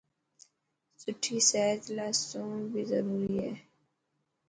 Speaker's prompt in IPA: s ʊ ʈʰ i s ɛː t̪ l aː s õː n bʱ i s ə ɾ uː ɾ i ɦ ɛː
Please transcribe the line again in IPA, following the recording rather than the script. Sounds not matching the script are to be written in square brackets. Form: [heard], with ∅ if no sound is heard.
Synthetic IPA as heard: s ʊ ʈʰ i s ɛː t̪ l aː s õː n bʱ i [z] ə ɾ uː ɾ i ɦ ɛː